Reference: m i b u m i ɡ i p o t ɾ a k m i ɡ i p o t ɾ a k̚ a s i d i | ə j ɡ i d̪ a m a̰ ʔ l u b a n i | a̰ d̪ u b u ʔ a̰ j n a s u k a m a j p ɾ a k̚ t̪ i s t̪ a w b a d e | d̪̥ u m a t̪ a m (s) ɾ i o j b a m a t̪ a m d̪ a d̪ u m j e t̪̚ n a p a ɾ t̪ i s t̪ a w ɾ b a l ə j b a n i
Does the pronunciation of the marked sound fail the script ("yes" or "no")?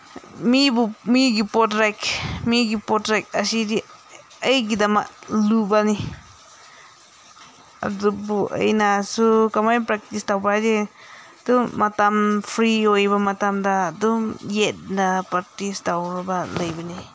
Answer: yes